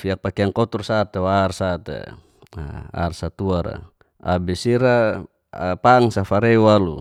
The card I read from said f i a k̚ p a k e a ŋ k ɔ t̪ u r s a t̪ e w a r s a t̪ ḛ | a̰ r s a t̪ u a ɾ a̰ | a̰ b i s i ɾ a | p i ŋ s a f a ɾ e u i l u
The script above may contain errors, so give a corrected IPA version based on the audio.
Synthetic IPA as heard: f i a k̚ p a k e a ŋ k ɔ t̪ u r s a t̪ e w a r s a t̪ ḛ | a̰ r s a t̪ u a ɾ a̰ | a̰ b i s i ɾ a | p a ŋ s a f a ɾ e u a l u

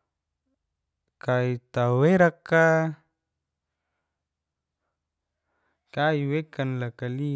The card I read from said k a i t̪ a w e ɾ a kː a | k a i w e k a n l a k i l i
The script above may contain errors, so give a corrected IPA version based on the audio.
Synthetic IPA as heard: k a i t̪ a w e ɾ a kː a | k a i w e k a n l a k a l i

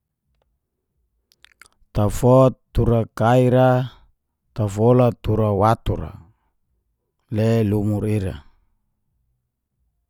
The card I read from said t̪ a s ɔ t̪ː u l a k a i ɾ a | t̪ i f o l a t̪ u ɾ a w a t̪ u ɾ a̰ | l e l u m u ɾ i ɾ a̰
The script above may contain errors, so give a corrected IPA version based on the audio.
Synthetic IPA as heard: t̪ a f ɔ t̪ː u ɾ a k a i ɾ a | t̪ a f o l a t̪ u ɾ a w a t̪ u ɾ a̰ | l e l u m u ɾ i ɾ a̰

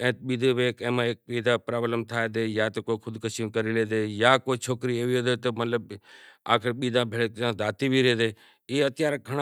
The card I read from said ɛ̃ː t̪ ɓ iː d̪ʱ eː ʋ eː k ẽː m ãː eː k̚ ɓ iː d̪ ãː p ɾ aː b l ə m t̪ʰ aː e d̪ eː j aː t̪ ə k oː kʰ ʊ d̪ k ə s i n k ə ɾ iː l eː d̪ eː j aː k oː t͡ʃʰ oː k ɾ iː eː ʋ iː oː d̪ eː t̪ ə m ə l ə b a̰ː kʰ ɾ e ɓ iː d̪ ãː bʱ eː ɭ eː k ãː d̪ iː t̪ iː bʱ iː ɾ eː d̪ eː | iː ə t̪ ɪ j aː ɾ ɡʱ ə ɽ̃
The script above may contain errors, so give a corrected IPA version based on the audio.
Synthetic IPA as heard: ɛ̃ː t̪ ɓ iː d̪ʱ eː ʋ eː k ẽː m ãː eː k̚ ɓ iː d̪ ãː p ɾ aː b l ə m t̪ʰ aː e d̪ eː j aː t̪ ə k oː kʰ ʊ d̪ k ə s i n k ə ɾ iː l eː d̪ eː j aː k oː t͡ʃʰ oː k ɾ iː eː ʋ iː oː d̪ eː t̪ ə m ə l ə b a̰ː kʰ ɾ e ɓ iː d̪ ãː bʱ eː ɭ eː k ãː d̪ aː t̪ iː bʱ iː ɾ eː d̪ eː | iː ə t̪ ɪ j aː ɾ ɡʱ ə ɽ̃

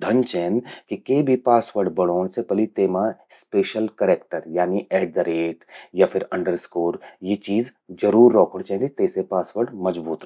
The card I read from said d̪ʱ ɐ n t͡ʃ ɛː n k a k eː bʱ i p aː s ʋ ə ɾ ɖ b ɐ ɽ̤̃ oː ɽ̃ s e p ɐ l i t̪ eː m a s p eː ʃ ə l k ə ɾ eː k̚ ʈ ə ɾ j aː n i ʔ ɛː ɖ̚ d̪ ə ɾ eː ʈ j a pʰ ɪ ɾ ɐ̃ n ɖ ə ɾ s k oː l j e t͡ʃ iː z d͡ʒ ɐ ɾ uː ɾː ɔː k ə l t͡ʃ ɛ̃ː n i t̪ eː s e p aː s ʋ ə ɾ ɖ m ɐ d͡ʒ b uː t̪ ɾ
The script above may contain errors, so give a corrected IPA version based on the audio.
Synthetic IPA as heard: d̪ʱ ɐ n t͡ʃ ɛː n k i k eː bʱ i p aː s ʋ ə ɾ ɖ b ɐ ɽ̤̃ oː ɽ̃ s e p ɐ l i t̪ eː m a s p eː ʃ ə l k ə ɾ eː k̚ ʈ ə ɾ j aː n i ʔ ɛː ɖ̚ d̪ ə ɾ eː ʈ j a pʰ ɪ ɾ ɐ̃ ɳ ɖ ə ɾ s k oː ɾ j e t͡ʃ iː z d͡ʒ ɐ ɾ uː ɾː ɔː k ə ɽ t͡ʃ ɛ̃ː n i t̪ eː s e p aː s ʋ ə ɾ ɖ m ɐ d͡ʒ b uː t̪ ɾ

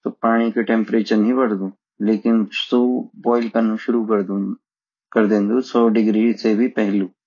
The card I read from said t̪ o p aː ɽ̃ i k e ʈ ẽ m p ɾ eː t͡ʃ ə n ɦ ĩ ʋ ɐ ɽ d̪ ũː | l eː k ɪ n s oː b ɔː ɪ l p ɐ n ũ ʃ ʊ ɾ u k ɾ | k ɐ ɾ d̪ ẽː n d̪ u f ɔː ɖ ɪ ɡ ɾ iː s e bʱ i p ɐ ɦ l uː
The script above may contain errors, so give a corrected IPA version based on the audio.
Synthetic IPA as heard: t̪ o p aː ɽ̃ i k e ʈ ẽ m p ɾ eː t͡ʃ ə n ɦ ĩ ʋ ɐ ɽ d̪ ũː | l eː k ɪ n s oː b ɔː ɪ l k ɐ n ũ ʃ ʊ ɾ u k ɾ | k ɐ ɾ d̪ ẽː n d̪ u s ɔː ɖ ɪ ɡ ɾ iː s e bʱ i p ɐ ɦ l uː

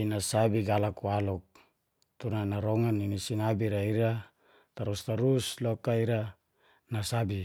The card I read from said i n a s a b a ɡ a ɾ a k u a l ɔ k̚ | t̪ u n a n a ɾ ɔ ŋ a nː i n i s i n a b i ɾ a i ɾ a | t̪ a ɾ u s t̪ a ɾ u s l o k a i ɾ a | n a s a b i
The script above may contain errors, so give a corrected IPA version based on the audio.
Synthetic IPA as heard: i n a s a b i ɡ a l a k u a l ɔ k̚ | t̪ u n a n a ɾ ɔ ŋ a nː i n i s i n a b i ɾ a i ɾ a | t̪ a ɾ u s t̪ a ɾ u s l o k a i ɾ a | n a s a b i

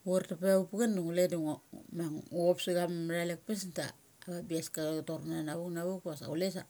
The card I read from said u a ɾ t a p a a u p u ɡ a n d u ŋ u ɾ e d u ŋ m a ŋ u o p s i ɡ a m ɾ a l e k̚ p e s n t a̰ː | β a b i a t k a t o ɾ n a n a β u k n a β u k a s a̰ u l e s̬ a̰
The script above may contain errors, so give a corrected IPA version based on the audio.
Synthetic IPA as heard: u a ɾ t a p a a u p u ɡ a n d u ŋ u l e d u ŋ m a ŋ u o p s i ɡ a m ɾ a l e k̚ p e s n t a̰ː | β a b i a s k a t o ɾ n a n a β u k n a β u k a s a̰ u l e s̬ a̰

